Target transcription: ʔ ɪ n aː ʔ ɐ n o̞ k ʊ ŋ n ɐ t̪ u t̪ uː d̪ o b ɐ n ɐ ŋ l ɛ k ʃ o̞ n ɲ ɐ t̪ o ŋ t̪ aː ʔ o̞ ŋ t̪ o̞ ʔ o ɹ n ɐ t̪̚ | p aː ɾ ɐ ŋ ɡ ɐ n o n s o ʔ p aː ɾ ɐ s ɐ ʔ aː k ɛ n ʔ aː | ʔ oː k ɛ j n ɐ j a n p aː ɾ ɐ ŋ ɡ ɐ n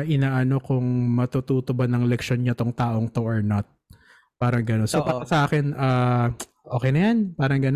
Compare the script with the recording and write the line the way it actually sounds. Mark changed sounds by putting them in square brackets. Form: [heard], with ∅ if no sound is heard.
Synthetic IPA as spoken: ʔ ɪ n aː ʔ ɐ n o̞ k ʊ ŋ [m] ɐ t̪ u t̪ uː [t̪] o b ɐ n ɐ ŋ l ɛ k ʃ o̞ n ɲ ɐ t̪ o ŋ t̪ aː ʔ o̞ ŋ t̪ o̞ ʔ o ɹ n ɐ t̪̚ | p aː ɾ ɐ ŋ ɡ ɐ n o n s o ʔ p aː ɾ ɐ s ɐ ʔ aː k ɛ n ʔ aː | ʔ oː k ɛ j n ɐ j a n p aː ɾ ɐ ŋ ɡ ɐ n